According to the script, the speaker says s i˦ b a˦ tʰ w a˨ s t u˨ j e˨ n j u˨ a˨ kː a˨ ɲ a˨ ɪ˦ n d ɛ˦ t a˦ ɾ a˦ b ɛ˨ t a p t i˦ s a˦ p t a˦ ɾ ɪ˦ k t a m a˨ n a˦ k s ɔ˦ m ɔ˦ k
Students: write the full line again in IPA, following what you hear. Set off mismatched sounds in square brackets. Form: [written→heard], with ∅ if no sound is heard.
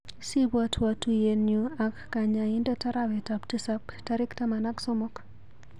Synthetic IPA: s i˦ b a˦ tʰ w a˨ [s→∅] t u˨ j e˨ n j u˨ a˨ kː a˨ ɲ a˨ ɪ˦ n d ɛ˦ t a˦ ɾ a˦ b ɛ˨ t a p t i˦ s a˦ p t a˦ ɾ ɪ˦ k t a m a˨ n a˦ k s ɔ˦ m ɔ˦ k